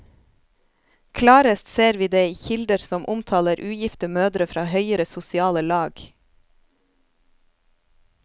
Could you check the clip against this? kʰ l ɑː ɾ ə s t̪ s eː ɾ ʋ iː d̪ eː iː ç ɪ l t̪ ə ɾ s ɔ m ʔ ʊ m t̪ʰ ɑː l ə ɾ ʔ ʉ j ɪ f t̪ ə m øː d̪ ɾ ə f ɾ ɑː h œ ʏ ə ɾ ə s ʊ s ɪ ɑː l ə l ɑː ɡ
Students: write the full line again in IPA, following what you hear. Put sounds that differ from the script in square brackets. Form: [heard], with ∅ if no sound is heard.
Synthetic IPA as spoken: kʰ l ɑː ɾ ə s t̪ s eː ɾ ʋ iː d̪ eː iː ç ɪ l [d̪] ə ɾ s ɔ m ʔ ʊ m t̪ʰ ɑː l ə ɾ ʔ [ʉː] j ɪ f t̪ ə m øː d̪ ɾ ə f ɾ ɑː h œ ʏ ə ɾ ə s ʊ s ɪ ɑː l ə l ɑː ɡ